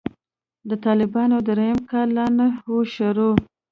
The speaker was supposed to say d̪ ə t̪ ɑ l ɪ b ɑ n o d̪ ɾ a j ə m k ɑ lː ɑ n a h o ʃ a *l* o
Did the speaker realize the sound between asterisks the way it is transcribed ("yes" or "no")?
no